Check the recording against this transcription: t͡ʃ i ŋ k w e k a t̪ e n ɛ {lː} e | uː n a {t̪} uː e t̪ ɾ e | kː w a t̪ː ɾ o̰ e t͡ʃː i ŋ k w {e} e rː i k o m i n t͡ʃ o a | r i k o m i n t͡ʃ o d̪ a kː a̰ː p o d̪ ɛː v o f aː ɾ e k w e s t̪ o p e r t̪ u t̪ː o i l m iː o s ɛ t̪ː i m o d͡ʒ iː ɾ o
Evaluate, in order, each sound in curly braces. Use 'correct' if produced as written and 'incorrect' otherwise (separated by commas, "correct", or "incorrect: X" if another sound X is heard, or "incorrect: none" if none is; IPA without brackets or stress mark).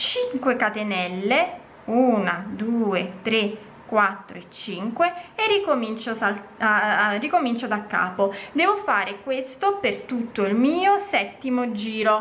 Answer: correct, incorrect: d̪, correct